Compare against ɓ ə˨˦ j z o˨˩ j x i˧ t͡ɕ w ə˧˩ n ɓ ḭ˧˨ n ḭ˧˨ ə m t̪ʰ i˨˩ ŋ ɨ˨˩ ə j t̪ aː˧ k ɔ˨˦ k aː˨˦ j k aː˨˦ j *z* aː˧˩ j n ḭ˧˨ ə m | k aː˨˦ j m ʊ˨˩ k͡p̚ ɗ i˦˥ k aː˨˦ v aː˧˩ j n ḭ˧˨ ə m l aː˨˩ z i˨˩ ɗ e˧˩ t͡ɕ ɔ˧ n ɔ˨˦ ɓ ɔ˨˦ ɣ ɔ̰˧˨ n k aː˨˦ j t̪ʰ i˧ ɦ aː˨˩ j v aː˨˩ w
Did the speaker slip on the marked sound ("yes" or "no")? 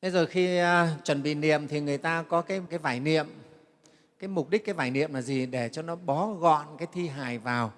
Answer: yes